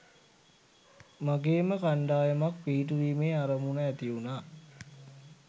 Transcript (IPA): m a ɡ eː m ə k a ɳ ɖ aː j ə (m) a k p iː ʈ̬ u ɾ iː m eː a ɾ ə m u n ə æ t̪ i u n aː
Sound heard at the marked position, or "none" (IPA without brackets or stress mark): m